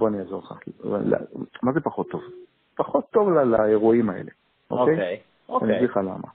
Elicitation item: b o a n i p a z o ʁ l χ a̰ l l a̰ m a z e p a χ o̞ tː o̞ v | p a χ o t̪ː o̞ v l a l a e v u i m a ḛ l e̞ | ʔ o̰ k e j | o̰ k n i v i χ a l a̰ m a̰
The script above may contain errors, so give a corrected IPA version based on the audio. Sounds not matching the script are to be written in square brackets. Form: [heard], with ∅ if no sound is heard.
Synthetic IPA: b o a n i [∅] a z o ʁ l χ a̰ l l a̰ m a z e p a χ o̞ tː o̞ v | p a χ o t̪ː o̞ v l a l a e [ʁ] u i m a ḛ l e̞ | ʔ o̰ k e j | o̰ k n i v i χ a l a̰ m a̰